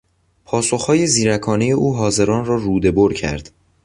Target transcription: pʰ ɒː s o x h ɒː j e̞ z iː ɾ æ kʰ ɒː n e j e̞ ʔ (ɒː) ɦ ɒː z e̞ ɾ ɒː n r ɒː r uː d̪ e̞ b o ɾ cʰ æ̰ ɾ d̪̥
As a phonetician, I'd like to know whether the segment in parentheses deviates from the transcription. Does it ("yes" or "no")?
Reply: yes